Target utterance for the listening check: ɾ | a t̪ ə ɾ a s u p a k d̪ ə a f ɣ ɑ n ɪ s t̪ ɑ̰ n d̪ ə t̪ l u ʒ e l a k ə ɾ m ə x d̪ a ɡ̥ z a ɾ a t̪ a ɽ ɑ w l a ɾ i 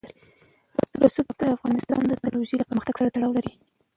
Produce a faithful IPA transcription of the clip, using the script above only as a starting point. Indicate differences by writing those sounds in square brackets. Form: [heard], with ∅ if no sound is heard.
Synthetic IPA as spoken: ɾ | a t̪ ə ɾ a s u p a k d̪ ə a f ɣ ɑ n ɪ s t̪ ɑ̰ n d̪ ə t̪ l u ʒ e l a [p] ə ɾ m ə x [t̪] a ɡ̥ [s] a ɾ a t̪ a ɽ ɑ w l a ɾ i